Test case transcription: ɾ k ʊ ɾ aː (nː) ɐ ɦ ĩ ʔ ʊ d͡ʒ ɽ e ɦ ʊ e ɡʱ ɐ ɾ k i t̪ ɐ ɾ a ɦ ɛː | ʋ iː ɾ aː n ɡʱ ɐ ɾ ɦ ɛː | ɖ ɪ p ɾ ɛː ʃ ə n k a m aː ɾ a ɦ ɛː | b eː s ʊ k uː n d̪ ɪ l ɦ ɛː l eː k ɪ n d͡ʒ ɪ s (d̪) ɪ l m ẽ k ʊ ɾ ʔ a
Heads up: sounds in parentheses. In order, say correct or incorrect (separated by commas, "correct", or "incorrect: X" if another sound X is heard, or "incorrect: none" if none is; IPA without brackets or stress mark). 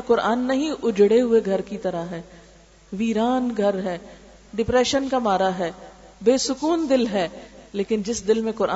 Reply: correct, correct